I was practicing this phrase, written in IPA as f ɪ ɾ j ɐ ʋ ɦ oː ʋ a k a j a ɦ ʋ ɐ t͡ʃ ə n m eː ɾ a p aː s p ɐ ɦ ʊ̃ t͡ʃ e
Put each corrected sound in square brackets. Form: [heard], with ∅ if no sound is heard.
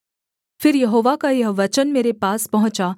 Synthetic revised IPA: f ɪ ɾ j ɐ [∅] ɦ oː ʋ a k a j [ɐ] ɦ ʋ ɐ t͡ʃ ə n m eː ɾ [e] p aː s p ɐ ɦ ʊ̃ t͡ʃ [a]